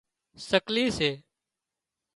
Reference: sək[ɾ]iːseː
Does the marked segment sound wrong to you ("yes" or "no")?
yes